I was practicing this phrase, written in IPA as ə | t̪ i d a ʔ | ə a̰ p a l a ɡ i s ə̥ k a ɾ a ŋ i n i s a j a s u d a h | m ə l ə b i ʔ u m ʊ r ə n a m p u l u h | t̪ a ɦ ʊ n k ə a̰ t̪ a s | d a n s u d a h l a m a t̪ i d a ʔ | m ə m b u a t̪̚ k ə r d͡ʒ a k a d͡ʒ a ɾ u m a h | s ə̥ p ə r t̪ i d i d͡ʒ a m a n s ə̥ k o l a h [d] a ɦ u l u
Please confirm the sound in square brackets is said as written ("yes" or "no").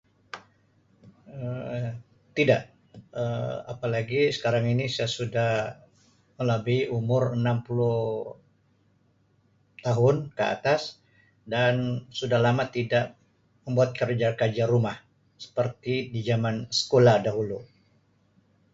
yes